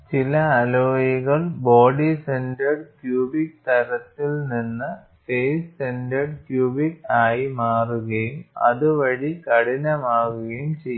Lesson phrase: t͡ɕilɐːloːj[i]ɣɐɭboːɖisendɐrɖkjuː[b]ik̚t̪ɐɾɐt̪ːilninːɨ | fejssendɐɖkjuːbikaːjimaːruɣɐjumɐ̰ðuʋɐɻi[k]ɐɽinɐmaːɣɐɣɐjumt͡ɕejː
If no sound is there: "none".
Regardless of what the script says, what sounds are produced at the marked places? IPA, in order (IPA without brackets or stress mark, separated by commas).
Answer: i, b, k